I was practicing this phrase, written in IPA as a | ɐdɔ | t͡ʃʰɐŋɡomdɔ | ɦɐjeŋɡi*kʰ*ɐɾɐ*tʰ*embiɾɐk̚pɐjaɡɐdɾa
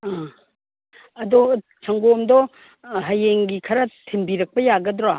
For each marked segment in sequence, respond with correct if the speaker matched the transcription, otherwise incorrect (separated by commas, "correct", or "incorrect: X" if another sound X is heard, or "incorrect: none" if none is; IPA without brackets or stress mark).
correct, correct